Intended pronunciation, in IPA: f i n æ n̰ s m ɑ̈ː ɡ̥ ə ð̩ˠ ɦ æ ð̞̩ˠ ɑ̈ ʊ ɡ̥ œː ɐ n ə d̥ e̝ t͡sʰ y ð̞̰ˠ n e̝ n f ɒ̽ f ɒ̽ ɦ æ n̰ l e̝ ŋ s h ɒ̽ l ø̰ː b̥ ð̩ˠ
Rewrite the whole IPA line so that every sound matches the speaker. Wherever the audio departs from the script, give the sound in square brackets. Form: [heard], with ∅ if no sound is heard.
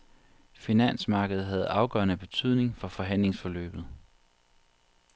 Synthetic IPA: f i n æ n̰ s m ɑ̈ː ɡ̥ ə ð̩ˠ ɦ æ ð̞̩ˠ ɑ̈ ʊ ɡ̥ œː ɐ n ə [b̥] e̝ t͡sʰ y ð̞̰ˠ n e̝ [ŋ] f ɒ̽ f ɒ̽ ɦ æ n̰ l e̝ ŋ s [f] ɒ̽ l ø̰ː b̥ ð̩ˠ